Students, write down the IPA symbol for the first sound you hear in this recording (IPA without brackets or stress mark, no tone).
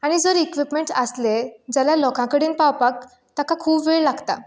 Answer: a